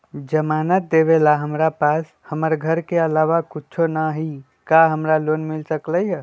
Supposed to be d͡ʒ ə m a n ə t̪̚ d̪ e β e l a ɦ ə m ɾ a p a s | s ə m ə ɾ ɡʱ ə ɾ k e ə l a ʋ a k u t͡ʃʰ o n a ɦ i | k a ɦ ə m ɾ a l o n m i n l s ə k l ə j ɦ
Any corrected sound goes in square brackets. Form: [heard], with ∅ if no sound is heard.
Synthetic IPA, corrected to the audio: d͡ʒ ə m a n ə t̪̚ d̪ e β e l a ɦ ə m ɾ a p a s | [h] ə m ə ɾ ɡʱ ə ɾ k e ə l a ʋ a k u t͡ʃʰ o n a ɦ i | k a ɦ ə m ɾ a l o n m i [∅] l s ə k l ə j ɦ

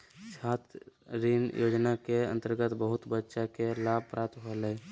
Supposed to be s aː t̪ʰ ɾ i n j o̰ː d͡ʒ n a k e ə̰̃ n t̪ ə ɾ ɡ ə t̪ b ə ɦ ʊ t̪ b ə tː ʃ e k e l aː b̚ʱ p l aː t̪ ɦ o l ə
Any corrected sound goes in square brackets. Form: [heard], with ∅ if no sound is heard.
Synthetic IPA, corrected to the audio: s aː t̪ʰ ɾ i n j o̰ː d͡ʒ n a k e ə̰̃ n t̪ ə ɾ ɡ ə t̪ b ə ɦ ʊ t̪ b ə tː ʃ [a] k e l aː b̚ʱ p [ɾ] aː t̪ ɦ o l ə

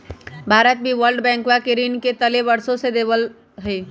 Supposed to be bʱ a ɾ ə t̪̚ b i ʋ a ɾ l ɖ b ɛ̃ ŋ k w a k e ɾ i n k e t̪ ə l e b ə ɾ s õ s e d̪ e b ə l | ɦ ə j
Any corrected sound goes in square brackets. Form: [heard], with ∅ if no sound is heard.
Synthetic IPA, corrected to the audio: bʱ a ɾ ə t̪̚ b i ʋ [ə] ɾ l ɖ b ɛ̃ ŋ k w a k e ɾ i n k e t̪ ə l e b ə ɾ s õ s e d̪ e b ə l | ɦ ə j

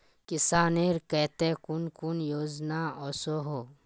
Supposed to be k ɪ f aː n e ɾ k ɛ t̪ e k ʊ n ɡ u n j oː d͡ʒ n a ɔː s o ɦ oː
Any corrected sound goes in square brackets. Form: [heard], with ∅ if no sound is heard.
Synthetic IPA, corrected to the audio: k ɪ [s] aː n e ɾ k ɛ t̪ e k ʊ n [k] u n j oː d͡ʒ n a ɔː s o ɦ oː

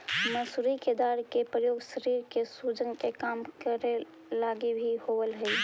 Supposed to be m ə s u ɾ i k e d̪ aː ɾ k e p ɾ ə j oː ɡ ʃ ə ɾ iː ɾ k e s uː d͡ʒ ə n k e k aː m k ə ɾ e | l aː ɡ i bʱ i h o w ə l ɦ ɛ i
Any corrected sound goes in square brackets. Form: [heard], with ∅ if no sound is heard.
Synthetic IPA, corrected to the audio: m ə s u ɾ i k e d̪ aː ɾ k e p ɾ ə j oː ɡ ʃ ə ɾ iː ɾ k e s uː d͡ʒ ə n k e k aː m k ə ɾ e | l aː ɡ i bʱ i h o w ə l ɦ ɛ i

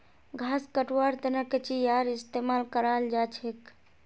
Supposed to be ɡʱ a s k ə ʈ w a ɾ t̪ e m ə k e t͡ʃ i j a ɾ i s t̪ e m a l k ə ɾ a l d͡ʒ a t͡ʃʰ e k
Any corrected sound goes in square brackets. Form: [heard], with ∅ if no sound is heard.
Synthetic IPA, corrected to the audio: ɡʱ a s k ə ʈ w a ɾ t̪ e [n] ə k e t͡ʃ i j a ɾ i s t̪ e m a l k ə ɾ a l d͡ʒ a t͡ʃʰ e k

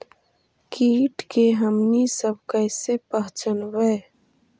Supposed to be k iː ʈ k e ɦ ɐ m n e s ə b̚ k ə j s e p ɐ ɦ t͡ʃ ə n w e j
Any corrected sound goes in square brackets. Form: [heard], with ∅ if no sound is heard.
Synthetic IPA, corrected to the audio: k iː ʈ k e ɦ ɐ m n [i] s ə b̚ k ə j s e p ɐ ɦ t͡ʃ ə n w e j

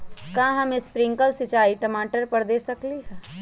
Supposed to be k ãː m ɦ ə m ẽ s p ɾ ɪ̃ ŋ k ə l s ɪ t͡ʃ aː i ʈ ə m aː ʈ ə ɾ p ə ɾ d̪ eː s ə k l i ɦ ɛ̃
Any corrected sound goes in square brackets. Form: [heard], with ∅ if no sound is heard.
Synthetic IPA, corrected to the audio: k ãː [∅] ɦ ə m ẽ s p ɾ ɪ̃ ŋ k ə l s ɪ t͡ʃ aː i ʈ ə m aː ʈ ə ɾ p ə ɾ d̪ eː s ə k l i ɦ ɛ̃

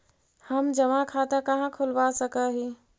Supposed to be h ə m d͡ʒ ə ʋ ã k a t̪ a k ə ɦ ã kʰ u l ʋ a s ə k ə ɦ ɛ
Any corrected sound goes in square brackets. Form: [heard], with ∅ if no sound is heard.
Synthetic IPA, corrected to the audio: h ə m d͡ʒ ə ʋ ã [kʰ] a t̪ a k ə ɦ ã kʰ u l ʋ a s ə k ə ɦ [i]

